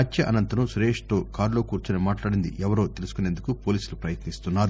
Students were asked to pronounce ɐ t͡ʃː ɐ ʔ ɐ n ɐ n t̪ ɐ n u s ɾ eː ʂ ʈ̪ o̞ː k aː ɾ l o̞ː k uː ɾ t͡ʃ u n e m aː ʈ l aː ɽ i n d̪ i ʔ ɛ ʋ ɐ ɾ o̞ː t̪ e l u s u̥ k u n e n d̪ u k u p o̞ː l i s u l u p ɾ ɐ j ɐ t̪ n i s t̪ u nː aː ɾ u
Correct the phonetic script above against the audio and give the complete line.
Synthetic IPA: ɐ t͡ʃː ɐ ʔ ɐ n ɐ n t̪ ɐ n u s ɾ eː ʂ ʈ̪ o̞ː k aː ɾ l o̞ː k uː ɾ t͡ʃ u n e m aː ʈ l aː ɽ i n d̪ i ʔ ɛ ʋ ɐ ɾ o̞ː t̪ e l u s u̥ k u n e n d̪ u k u p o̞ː l iː s u l u p ɾ ɐ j ɐ t̪ n i s t̪ u nː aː ɾ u